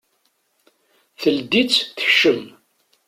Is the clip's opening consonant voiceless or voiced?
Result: voiceless